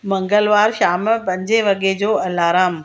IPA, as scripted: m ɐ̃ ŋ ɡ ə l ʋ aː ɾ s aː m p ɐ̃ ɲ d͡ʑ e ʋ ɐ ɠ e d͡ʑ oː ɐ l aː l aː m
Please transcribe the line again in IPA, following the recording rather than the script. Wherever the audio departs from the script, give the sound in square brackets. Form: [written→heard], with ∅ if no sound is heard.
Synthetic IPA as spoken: m ɐ̃ ŋ ɡ ə l ʋ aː ɾ [s→ʃ] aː m p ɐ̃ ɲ d͡ʑ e ʋ ɐ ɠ e d͡ʑ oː ɐ l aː [l→ɾ] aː m